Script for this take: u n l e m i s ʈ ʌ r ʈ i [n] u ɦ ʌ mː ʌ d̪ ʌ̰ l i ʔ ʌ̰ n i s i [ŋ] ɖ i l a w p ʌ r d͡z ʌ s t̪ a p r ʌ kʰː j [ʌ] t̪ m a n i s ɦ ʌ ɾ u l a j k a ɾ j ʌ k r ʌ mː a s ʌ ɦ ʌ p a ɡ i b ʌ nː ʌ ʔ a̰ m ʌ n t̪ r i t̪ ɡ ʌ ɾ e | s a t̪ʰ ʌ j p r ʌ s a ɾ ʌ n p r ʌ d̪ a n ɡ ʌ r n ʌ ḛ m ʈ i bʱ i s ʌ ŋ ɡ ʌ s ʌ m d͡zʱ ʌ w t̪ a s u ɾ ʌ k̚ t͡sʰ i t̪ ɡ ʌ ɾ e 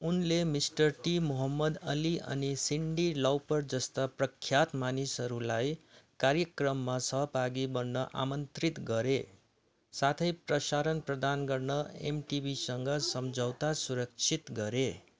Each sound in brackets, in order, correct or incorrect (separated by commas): incorrect, incorrect, incorrect